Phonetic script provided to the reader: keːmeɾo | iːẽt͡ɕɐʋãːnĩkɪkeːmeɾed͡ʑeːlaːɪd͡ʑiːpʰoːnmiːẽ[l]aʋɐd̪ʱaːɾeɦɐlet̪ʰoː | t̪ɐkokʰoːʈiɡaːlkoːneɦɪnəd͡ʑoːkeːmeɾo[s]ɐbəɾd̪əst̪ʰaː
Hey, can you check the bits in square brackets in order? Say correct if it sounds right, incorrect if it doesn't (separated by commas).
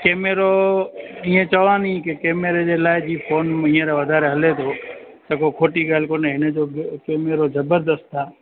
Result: incorrect, incorrect